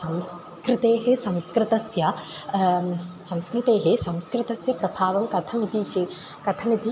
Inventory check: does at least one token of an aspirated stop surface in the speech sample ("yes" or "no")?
yes